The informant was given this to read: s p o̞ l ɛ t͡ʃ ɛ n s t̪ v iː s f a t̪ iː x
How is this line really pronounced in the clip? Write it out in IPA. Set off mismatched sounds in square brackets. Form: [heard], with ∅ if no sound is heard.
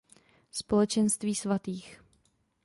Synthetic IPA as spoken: s p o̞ l ɛ t͡ʃ ɛ n s t̪ v iː s [v] a t̪ iː x